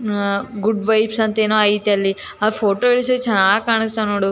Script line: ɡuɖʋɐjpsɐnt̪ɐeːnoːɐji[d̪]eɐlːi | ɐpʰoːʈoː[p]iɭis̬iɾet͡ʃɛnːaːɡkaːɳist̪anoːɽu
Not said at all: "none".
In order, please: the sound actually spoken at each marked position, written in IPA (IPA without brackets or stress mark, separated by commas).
t̪, none